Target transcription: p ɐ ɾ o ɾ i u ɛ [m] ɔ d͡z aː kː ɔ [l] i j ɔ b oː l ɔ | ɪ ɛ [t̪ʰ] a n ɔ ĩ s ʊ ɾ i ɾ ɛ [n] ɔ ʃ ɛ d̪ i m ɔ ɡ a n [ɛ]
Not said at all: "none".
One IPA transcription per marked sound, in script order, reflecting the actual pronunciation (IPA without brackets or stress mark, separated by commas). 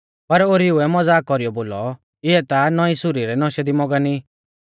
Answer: m, ɾ, t̪, n, i